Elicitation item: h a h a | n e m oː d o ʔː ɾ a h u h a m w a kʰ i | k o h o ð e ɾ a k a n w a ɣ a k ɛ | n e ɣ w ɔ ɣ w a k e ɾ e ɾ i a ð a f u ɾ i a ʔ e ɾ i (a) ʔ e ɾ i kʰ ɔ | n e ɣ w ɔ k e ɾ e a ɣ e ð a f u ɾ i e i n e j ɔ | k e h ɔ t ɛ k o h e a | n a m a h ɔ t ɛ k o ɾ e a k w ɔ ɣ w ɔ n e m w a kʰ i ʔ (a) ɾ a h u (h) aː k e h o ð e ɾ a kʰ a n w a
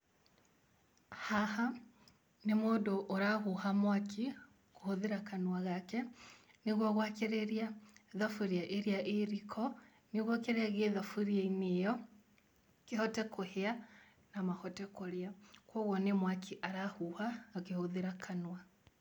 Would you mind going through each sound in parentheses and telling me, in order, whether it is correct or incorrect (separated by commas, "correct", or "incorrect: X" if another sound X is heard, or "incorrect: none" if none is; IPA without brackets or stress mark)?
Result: correct, correct, correct